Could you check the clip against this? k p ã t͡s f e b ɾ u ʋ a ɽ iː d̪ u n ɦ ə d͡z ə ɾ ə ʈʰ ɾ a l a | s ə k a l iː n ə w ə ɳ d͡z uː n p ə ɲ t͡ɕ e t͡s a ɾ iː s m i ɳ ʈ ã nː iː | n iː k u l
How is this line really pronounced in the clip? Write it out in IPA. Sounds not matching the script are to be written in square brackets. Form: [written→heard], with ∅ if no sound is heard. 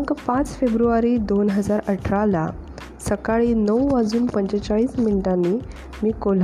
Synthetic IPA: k p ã t͡s f e b ɾ u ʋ a [ɽ→ɾ] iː d̪ [u→o] n ɦ ə d͡z [ə→a] ɾ ə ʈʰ ɾ a l a | s ə k a [l→ɭ] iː n ə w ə [ɳ→∅] d͡z uː n p ə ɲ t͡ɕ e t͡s a [ɾ→ɭ] iː s m i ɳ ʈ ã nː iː | [n→m] iː k [u→o] l